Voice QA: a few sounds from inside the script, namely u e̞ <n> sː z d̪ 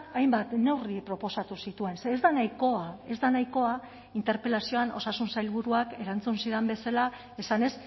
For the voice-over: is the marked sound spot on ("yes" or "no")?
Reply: yes